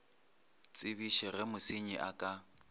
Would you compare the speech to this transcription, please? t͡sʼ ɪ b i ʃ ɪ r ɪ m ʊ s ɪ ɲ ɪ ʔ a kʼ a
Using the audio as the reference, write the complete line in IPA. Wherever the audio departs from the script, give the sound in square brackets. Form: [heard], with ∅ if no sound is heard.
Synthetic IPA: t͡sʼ ɪ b i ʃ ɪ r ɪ m ʊ s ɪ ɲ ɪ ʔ a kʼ a